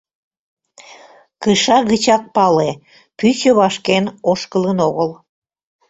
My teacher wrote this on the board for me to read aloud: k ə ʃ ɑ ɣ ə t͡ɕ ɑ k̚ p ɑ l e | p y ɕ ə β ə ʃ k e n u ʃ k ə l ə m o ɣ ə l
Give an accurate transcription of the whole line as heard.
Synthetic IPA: k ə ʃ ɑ ɣ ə t͡ɕ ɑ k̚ p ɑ l e | p y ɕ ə β ɑ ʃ k e n o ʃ k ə l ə n o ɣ ə l